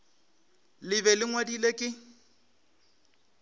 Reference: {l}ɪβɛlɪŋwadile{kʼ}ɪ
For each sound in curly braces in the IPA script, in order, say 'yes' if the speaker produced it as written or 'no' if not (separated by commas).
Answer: yes, yes